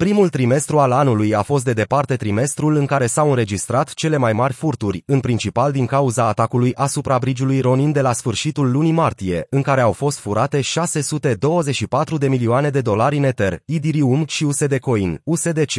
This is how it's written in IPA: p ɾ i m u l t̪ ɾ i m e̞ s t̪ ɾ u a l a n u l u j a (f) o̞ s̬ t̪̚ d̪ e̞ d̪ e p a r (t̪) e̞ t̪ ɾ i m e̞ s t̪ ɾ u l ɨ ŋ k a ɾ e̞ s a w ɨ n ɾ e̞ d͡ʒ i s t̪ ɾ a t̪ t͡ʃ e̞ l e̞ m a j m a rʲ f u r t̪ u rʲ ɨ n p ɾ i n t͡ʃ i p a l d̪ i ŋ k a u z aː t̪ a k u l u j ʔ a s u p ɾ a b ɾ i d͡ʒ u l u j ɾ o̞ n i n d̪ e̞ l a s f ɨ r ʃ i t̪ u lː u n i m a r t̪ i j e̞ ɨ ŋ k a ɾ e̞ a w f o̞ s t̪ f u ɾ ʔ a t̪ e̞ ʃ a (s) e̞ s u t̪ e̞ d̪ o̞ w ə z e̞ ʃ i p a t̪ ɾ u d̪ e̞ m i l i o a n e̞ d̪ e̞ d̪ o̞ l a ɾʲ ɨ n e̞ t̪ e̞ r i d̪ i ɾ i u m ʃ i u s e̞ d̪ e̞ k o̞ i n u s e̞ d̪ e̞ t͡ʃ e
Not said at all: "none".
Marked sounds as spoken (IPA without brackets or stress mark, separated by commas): f, t̪, s